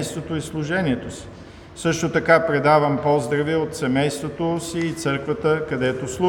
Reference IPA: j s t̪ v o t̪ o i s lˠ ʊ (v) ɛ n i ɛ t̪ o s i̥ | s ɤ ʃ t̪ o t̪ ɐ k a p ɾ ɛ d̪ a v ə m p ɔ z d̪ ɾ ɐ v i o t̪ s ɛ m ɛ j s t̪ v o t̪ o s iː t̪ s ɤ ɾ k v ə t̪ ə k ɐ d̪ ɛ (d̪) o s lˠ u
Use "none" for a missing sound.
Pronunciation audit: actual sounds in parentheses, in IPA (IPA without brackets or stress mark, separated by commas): ʒ, t̪